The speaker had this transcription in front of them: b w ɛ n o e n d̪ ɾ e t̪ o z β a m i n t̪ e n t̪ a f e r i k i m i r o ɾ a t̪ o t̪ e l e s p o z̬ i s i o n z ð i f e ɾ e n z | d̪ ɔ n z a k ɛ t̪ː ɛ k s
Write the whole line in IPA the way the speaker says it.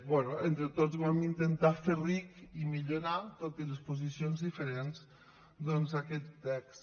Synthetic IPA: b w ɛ n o e n t̪ ɾ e t̪ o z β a m i n t̪ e n t̪ a f e r i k i m i ʎ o ɾ a t̪ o t̪ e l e s p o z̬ i s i o n z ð i f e ɾ e n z | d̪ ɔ n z a k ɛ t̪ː ɛ k s